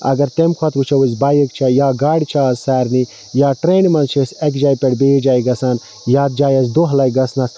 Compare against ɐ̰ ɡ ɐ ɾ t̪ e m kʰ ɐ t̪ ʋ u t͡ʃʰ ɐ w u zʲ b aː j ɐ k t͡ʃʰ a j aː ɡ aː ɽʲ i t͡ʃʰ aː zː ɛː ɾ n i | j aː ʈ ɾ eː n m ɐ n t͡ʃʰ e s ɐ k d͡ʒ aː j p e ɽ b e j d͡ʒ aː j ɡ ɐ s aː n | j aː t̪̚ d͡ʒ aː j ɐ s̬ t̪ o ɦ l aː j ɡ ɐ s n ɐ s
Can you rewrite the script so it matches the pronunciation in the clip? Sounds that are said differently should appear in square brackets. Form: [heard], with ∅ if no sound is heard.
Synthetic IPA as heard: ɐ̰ ɡ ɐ ɾ t̪ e m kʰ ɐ t̪ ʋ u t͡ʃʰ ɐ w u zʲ b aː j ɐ k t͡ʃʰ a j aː ɡ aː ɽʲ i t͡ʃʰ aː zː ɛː ɾ n i | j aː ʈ ɾ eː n m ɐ n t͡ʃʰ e s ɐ k d͡ʒ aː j p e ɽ b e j d͡ʒ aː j ɡ ɐ s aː n | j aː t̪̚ d͡ʒ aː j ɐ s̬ [d̪] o ɦ l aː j ɡ ɐ s n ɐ s